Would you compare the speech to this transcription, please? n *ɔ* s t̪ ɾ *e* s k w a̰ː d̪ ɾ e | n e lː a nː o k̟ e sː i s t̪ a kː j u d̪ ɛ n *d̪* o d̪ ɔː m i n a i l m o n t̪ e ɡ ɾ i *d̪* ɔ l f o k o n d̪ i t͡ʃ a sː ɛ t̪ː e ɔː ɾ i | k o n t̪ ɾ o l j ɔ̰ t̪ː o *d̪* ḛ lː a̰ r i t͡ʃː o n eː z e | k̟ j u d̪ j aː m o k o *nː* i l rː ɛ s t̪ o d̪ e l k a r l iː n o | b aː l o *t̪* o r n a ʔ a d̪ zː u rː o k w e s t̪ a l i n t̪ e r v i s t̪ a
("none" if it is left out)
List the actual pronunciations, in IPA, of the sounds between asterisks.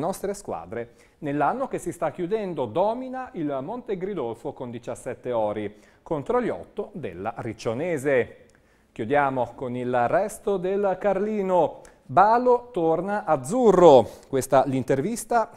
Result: ɔ, e, d̪, d̪, d̪, n, t̪

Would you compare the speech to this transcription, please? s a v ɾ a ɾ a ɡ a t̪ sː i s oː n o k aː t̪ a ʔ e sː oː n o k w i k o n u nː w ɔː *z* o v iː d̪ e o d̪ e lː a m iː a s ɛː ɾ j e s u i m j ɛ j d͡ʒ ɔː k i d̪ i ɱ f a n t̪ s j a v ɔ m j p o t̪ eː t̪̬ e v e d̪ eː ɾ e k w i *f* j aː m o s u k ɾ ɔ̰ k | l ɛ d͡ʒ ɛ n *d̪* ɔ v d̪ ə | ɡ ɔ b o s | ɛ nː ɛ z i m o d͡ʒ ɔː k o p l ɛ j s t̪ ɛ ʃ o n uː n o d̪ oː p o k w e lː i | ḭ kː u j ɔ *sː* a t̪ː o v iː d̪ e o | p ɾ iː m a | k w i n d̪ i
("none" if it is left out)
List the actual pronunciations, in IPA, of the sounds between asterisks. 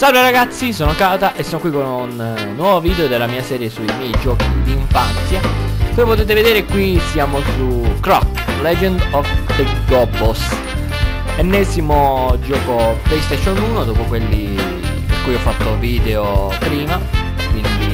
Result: v, s, d̪, fː

